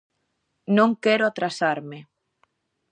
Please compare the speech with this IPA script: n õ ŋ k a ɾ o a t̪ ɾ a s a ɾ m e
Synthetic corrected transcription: n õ ŋ k ɛ ɾ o a t̪ ɾ a s a ɾ m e